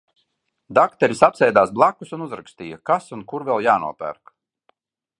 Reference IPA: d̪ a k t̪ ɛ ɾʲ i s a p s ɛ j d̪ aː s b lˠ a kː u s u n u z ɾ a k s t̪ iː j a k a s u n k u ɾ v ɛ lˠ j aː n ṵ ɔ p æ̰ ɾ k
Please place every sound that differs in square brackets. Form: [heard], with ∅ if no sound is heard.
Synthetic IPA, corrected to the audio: d̪ a k t̪ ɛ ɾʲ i s a p s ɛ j d̪ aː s b lˠ a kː u s u n u z ɾ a k s t̪ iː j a k a s u n k u ɾ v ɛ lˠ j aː n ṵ ɔ p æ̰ ɾ k